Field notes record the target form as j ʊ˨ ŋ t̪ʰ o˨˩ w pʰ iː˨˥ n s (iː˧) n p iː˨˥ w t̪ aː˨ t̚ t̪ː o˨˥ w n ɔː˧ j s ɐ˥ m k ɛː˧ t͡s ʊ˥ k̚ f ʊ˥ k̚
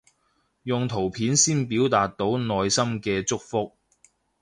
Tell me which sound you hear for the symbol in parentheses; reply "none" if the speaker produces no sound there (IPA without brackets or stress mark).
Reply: iː˥